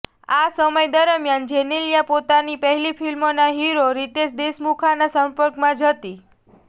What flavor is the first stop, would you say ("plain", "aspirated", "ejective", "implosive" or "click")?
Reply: plain